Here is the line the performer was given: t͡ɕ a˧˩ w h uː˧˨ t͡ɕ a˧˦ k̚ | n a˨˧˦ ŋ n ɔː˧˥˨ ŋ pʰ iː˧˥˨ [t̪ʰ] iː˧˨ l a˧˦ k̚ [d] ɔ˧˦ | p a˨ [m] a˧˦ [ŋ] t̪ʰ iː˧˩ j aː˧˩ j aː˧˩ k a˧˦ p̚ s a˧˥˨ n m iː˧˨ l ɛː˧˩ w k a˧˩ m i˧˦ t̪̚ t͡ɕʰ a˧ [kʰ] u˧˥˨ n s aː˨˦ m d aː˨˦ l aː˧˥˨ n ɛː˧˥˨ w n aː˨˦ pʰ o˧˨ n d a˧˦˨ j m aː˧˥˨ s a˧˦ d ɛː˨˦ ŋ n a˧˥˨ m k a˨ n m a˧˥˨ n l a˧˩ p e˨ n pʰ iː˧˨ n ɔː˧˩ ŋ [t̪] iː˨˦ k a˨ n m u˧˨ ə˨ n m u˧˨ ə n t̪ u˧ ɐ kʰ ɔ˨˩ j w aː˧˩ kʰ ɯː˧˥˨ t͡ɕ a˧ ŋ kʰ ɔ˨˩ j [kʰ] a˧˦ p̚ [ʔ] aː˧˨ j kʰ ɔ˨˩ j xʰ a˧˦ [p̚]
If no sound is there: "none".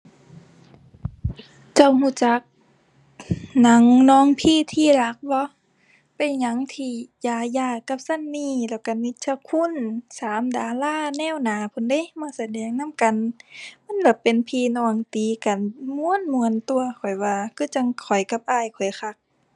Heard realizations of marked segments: t̪ʰ, b, ɲ, ŋ, kʰ, t̪, k, ʔ, k̚

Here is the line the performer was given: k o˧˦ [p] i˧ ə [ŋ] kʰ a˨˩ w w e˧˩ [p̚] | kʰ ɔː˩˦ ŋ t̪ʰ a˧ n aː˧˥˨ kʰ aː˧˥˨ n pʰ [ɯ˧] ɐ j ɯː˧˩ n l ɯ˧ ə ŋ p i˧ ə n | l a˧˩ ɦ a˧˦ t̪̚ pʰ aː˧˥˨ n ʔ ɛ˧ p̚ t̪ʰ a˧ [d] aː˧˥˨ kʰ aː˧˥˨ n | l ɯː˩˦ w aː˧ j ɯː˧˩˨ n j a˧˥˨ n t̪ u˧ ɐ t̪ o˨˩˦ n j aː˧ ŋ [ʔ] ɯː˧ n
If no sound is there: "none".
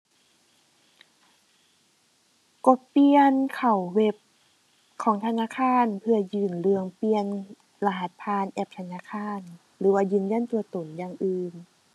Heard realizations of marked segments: p, n, p̚, ɯ˧, n, ʔ

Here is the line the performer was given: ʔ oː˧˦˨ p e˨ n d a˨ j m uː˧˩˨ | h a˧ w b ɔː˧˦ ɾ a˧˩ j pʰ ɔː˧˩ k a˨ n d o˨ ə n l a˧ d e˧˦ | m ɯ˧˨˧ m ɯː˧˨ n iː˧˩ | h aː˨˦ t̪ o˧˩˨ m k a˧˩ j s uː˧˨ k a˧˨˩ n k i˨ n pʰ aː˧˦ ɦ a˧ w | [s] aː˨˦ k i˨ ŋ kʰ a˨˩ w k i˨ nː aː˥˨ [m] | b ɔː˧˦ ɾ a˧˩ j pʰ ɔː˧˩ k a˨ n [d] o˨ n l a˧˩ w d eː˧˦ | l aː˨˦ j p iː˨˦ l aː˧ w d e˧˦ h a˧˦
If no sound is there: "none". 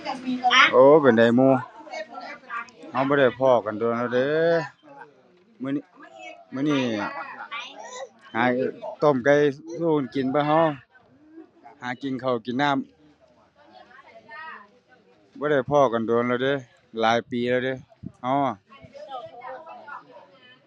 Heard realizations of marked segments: h, m, d

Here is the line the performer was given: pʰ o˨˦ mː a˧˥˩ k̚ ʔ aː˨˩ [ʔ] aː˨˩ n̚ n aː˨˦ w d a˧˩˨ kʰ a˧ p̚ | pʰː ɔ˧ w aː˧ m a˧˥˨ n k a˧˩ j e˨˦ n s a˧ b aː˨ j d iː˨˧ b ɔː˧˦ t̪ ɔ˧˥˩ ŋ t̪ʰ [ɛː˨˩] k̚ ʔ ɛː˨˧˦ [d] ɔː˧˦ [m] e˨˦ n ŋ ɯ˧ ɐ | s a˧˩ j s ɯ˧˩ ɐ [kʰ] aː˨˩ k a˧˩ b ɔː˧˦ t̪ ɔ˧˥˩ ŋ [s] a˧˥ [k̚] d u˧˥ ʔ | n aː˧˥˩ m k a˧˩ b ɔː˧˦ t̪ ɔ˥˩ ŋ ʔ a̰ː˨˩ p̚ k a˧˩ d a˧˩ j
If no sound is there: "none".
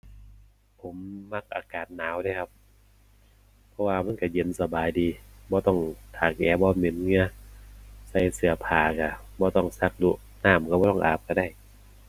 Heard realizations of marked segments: k, aː˨˩, b, m, pʰ, s, k̚

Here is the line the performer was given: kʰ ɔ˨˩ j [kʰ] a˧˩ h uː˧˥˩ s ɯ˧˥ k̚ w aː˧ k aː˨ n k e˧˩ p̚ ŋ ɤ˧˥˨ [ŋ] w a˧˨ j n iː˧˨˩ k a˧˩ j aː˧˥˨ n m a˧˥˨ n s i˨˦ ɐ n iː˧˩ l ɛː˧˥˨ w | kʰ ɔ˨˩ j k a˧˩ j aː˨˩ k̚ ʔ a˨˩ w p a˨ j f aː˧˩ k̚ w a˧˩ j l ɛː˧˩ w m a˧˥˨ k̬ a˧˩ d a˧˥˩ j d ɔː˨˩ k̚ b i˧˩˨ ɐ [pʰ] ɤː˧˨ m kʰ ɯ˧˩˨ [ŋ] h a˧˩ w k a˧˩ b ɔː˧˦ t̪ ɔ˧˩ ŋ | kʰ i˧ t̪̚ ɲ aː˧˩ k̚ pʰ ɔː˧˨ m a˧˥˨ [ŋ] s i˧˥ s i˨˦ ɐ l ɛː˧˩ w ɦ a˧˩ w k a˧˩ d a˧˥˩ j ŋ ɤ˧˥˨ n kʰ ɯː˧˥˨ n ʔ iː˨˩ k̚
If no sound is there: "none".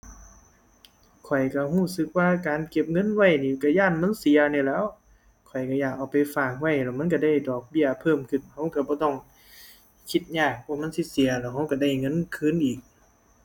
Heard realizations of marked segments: k, n, pʰ, n, n

